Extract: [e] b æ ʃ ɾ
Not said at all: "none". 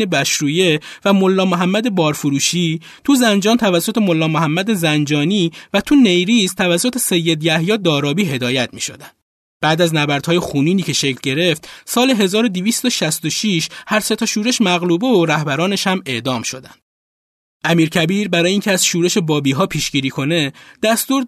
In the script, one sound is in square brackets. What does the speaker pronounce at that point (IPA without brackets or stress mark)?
e